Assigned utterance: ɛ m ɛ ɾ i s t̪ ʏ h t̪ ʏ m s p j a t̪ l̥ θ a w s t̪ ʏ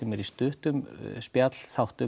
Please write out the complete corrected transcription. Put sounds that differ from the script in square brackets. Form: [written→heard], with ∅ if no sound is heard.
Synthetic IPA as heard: ɛ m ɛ ɾ i s t̪ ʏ h t̪ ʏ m s p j a t̪ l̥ θ a w [s→h] t̪ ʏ